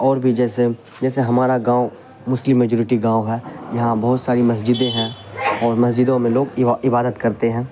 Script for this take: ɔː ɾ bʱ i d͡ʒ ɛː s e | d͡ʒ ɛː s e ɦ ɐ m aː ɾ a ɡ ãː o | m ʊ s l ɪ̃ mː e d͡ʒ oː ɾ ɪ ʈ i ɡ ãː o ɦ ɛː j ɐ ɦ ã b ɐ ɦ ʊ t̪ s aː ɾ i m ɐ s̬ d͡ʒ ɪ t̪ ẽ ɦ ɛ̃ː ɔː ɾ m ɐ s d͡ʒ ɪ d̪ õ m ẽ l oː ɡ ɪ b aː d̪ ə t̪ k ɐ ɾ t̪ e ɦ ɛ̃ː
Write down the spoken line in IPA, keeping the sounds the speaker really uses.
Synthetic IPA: ɔː ɾ bʱ i d͡ʒ ɛː s e | d͡ʒ ɛː s e ɦ ɐ m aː ɾ a ɡ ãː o | m ʊ s l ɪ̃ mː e d͡ʒ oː ɾ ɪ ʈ i ɡ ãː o ɦ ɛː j ɐ ɦ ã b ɐ ɦ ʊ t̪ s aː ɾ i m ɐ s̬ d͡ʒ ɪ d̪ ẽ ɦ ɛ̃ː ɔː ɾ m ɐ s d͡ʒ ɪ d̪ õ m ẽ l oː ɡ ɪ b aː d̪ ə t̪ k ɐ ɾ t̪ e ɦ ɛ̃ː